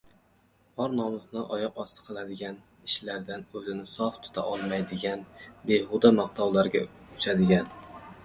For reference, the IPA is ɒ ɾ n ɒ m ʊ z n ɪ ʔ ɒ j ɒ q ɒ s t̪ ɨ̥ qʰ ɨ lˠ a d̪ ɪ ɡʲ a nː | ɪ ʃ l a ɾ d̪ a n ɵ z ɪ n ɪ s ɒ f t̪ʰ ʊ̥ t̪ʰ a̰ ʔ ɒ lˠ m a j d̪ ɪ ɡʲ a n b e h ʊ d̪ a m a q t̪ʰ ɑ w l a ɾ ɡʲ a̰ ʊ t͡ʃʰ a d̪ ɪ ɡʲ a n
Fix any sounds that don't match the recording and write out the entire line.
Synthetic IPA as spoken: ɒ ɾ n ɒ m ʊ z n ɪ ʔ ɒ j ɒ q ɒ s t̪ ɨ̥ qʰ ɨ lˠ a d̪ ɪ ɡʲ a n | ɪ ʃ l a ɾ d̪ a n ɵ z ɪ n ɪ s ɒ f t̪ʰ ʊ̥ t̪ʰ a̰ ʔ ɒ lˠ m a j d̪ ɪ ɡʲ a n b e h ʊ d̪ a m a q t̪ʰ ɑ w l a ɾ ɡʲ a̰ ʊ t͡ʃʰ a d̪ ɪ ɡʲ a n